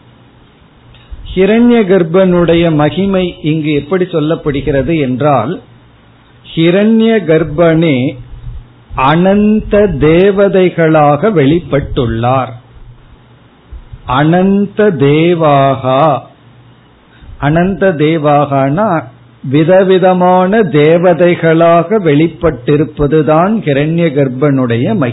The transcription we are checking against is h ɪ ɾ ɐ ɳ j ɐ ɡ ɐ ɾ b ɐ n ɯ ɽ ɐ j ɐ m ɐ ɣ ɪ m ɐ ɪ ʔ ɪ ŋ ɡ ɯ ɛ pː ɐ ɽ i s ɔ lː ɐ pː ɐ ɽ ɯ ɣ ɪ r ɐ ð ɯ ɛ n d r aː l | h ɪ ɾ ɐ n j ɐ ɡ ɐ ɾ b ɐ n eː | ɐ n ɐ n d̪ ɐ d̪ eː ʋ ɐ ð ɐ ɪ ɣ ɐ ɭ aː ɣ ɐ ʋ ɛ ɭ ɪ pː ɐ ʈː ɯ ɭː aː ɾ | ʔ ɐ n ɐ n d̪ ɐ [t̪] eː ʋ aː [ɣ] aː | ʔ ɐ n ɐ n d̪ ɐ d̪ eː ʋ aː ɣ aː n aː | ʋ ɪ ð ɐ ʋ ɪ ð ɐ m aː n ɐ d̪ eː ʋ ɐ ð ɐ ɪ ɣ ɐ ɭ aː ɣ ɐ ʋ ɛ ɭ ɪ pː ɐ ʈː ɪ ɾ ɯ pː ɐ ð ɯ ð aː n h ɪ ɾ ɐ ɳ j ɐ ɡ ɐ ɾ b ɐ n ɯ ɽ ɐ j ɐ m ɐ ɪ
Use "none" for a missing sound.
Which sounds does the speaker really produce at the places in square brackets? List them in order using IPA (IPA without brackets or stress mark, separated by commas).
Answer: d̪, ɣ